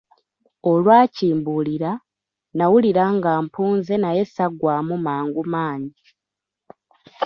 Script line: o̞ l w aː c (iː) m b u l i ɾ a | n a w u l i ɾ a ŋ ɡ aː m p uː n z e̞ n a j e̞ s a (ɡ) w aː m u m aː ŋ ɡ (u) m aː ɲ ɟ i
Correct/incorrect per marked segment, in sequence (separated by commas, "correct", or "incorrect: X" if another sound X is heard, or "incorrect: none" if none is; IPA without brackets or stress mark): correct, correct, correct